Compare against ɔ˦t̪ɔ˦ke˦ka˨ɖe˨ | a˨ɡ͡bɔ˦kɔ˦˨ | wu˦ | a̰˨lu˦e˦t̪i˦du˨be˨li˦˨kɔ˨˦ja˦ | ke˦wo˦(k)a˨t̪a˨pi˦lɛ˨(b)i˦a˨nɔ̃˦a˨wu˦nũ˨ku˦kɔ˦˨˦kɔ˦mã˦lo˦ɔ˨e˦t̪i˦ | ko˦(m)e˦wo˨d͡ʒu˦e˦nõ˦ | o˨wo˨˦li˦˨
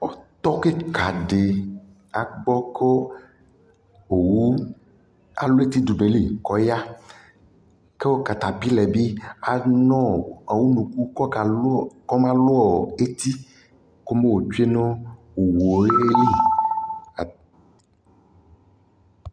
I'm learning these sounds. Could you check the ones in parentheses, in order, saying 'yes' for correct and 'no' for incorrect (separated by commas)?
yes, yes, yes